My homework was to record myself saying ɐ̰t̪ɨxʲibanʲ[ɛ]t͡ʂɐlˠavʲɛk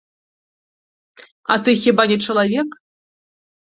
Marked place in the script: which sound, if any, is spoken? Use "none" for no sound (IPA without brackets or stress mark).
ɛ